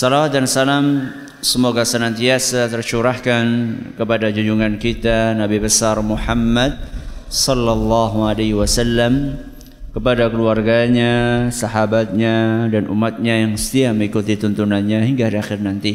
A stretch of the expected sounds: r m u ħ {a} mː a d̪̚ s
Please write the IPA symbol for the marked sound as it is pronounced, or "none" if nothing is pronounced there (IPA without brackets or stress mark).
a